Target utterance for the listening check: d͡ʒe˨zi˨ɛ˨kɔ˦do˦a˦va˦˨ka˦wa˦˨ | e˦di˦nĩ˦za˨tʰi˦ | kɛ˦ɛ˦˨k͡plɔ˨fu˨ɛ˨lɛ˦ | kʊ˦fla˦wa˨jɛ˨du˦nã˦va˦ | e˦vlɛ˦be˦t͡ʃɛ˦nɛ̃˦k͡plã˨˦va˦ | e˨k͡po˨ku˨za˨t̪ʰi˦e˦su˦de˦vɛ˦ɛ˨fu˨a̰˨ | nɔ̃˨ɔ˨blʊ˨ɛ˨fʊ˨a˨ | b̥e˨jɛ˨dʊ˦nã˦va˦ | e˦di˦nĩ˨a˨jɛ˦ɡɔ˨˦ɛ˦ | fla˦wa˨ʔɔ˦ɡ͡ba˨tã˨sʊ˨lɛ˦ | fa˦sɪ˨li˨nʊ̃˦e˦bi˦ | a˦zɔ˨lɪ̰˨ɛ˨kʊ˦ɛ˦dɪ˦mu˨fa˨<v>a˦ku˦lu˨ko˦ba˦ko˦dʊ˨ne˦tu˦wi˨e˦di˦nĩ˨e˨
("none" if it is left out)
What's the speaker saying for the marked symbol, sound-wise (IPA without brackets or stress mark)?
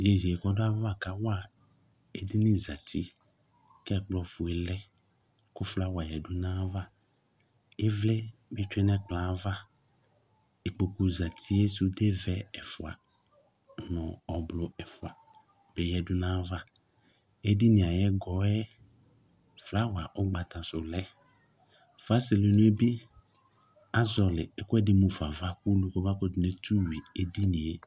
v